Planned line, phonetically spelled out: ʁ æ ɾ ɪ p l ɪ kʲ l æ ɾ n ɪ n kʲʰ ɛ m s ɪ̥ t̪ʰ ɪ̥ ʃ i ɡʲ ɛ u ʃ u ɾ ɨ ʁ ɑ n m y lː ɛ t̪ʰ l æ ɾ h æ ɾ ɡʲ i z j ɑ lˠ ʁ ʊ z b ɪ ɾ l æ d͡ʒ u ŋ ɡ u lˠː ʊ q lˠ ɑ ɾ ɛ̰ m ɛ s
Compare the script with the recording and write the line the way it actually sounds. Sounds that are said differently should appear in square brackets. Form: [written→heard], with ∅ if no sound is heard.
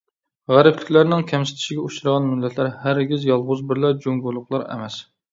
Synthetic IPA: ʁ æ ɾ ɪ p l ɪ kʲ l æ ɾ n ɪ [n→ŋ] kʲʰ ɛ m s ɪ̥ t̪ʰ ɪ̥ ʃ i ɡʲ ɛ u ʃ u ɾ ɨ ʁ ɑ n m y lː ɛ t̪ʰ l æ ɾ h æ ɾ ɡʲ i z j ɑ lˠ ʁ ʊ z b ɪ ɾ l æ d͡ʒ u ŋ ɡ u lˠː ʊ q lˠ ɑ ɾ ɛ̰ m ɛ s